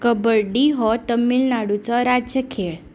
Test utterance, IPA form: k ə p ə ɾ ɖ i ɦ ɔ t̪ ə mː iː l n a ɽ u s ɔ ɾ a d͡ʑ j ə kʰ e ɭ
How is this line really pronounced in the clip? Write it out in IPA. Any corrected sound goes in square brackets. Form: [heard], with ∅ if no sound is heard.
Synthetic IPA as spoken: k ə [b] ə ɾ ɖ i ɦ ɔ t̪ ə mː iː l n a ɽ u [t͡s] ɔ ɾ a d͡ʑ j ə kʰ e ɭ